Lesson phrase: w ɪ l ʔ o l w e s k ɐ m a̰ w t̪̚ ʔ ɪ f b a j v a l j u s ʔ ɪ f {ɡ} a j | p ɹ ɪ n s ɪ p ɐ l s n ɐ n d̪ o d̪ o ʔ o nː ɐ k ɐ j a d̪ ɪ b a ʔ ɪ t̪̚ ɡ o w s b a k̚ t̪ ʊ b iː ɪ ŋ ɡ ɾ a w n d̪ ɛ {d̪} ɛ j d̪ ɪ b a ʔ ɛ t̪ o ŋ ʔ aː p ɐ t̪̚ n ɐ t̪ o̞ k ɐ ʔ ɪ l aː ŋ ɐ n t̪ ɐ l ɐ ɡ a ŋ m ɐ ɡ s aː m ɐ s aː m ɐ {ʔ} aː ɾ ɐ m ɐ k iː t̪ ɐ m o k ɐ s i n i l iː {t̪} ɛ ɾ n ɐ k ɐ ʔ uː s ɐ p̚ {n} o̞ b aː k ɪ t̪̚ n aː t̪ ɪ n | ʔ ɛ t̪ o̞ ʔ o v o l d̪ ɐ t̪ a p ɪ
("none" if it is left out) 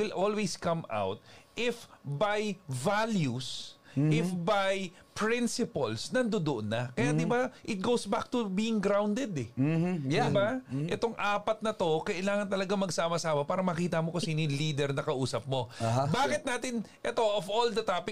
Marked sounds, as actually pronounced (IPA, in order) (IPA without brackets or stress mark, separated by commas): b, d̪, p, d̪, m